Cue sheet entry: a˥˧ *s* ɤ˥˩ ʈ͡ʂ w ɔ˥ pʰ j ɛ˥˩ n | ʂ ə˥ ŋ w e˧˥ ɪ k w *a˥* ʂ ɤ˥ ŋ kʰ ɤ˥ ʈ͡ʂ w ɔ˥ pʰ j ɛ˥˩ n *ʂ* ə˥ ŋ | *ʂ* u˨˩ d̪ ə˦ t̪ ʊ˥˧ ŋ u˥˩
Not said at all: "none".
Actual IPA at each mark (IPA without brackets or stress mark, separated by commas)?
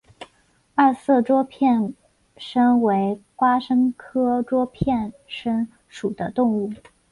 s, a˥, ʂ, ʂ